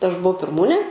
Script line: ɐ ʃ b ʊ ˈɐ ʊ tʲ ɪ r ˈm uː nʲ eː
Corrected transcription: ɐ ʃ b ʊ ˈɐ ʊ pʲ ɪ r ˈm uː nʲ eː